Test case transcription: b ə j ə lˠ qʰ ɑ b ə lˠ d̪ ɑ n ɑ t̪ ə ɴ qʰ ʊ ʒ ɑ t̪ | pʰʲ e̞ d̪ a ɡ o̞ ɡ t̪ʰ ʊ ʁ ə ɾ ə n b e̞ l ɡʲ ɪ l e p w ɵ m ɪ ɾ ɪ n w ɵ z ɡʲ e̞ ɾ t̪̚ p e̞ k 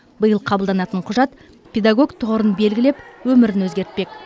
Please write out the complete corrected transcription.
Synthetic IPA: b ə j ə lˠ qʰ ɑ b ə lˠ d̪ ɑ n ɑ t̪ ə ɴ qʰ ʊ ʒ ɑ t̪ | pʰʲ e̞ d̪ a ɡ o̞ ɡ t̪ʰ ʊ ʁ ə ɾ ə n b e̞ l ɡʲ ɪ l e p w ɵ m ɪ ɾ ɪ n w ɵ z ɡʲ e̞ ɾ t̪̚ p e̞ k

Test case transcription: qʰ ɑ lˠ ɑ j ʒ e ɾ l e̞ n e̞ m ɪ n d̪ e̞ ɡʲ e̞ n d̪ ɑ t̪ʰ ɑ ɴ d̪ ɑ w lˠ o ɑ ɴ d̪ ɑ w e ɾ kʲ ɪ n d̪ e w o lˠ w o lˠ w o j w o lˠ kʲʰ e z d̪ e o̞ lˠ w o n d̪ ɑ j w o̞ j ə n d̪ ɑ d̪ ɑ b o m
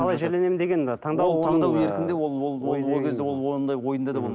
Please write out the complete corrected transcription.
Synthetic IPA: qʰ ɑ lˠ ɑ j ʒ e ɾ l e̞ n e̞ m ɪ n d̪ e̞ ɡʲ e̞ n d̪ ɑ t̪ʰ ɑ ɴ d̪ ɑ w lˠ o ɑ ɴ d̪ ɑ w e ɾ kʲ ɪ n d̪ e w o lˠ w o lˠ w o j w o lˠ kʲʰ e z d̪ e o̞ lˠ w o n d̪ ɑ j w o̞ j ə n d̪ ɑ d̪ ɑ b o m

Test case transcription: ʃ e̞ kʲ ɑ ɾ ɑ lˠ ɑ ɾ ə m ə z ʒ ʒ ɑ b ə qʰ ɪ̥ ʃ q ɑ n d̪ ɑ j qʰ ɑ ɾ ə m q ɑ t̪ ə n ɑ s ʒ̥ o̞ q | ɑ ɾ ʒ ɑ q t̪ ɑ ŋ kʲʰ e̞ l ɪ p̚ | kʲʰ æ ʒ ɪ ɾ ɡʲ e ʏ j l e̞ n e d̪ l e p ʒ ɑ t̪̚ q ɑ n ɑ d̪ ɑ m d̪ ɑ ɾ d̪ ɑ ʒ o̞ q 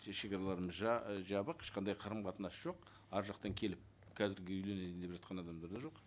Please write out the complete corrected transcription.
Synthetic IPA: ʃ e̞ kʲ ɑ ɾ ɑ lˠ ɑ ɾ ə m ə z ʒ ʒ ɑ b ə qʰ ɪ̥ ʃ q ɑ n d̪ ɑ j qʰ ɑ ɾ ə m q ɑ t̪ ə n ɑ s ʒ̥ o̞ q | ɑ ɾ ʒ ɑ q t̪ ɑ ŋ kʲʰ e̞ l ɪ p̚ | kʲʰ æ z ɪ ɾ ɡʲ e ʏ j l e̞ n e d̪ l e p ʒ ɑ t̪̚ q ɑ n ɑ d̪ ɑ m d̪ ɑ ɾ d̪ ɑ ʒ o̞ q

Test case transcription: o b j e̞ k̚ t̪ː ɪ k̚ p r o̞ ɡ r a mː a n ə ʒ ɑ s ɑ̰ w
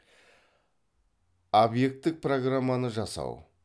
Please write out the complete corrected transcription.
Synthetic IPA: o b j e̞ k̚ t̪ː ɪ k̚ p r o̞ ɡ r a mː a n ə ʒ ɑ s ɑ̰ w

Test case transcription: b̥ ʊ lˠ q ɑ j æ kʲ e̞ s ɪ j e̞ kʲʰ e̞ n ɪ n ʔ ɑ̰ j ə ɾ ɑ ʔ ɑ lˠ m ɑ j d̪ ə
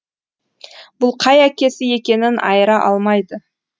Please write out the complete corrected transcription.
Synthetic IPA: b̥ ʊ lˠ qʰ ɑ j æ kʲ e̞ s ɪ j e̞ kʲ e̞ n ɪ n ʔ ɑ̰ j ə ɾ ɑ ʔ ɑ lˠ m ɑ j d̪ ə

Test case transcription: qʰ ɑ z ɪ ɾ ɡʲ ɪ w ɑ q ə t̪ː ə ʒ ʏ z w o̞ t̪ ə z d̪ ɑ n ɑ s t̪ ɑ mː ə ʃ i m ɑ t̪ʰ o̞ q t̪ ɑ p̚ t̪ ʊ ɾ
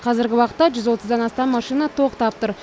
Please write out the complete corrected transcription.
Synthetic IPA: qʰ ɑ z ɪ ɾ ɡʲ ɪ w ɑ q ə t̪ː ɑ ʒ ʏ z w o̞ t̪ ə z d̪ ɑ n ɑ s t̪ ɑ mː ɑ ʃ i n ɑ t̪ʰ o̞ q t̪ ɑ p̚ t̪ ʊ ɾ

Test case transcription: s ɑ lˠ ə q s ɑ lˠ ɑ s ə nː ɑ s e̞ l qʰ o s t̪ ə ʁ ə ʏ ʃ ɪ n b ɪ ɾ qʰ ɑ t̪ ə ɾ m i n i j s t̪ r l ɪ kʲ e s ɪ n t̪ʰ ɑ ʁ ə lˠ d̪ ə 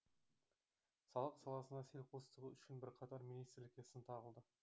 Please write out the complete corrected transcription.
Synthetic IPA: s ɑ lˠ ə q s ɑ lˠ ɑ s ə n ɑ s e̞ l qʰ o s t̪ ə ʁ ə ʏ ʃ ɪ n b ɪ ɾ qʰ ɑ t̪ ɑ ɾ m i n i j s t̪ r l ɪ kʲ e s ɪ n t̪ʰ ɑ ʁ ə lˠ d̪ ə

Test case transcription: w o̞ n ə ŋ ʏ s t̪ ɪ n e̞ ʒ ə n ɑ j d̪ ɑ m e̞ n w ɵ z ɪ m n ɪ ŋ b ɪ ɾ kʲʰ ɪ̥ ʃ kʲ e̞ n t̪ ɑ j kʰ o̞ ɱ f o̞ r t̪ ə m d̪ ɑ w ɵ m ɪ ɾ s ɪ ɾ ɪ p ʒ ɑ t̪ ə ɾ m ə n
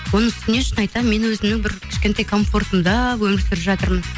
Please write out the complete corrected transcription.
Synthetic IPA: w o̞ n ə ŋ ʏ s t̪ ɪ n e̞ ʃ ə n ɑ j t̪ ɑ m e̞ n w ɵ z ɪ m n ɪ ŋ b ɪ ɾ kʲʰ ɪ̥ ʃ kʲ e̞ n t̪ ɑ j kʰ o̞ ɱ f o̞ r t̪ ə m d̪ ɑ w ɵ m ɪ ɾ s ɪ ɾ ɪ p ʒ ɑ t̪ ə ɾ m ə n

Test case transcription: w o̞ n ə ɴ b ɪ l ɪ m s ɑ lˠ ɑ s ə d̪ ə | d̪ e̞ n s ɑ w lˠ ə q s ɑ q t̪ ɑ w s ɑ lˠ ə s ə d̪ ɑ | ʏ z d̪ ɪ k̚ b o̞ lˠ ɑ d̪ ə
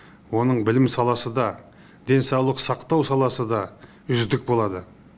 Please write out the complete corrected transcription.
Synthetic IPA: w o̞ n ə ɴ b ɪ l ɪ m s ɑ lˠ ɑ s ə d̪ ɑ | d̪ e̞ n s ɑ w lˠ ə q s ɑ q t̪ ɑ w s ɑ lˠ ɑ s ə d̪ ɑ | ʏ z d̪ ɪ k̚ b o̞ lˠ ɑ d̪ ə

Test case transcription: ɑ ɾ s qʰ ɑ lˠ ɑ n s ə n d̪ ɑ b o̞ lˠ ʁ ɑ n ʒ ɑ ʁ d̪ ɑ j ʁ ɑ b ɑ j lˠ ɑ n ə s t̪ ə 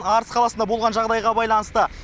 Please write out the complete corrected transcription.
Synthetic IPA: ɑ ɾ s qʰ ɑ lˠ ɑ s ə n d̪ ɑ b o̞ lˠ ʁ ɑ n ʒ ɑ ʁ d̪ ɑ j ʁ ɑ b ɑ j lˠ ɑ n ə s t̪ ə

